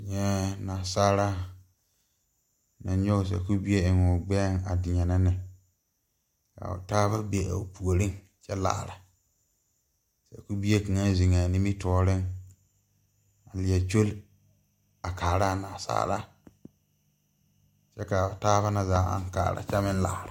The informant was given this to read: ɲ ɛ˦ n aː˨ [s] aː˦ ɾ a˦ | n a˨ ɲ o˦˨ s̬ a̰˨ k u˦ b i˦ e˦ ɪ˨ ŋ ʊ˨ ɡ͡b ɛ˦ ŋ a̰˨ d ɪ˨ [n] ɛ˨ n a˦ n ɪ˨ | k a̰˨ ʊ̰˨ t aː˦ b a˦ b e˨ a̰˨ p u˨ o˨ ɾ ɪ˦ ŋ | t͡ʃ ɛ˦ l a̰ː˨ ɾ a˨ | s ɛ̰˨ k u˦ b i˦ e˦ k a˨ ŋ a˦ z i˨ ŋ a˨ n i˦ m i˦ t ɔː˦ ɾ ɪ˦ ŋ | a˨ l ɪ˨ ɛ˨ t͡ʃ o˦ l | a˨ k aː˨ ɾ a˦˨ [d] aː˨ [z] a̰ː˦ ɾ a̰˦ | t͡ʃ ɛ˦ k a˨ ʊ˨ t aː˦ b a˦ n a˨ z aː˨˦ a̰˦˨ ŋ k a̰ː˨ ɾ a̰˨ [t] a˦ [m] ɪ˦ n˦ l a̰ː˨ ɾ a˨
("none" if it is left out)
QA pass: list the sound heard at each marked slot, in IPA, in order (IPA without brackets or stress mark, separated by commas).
s, ɲ, n, s, t͡ʃ, m